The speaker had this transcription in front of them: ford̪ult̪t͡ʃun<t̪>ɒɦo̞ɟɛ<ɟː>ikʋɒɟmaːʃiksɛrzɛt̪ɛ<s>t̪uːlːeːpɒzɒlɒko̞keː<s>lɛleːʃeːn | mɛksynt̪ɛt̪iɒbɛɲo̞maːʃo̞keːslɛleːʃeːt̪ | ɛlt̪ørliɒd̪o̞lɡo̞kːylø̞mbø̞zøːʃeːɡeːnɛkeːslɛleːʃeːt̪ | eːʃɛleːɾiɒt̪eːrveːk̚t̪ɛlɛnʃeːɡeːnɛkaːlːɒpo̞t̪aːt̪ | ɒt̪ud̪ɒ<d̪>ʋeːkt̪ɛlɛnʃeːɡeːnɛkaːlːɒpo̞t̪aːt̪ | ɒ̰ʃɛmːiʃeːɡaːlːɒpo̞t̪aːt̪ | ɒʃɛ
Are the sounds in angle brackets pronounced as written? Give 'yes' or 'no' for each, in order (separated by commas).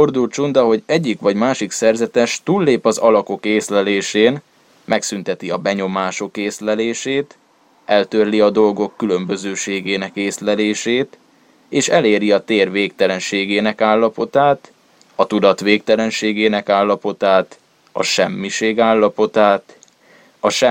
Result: no, yes, no, yes, no